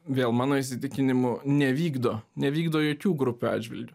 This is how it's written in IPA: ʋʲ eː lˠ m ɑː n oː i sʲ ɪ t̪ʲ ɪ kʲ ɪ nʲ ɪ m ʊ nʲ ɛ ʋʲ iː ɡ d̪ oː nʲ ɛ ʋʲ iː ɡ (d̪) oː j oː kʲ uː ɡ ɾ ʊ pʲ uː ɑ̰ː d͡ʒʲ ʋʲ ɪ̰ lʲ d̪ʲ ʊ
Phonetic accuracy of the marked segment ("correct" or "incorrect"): correct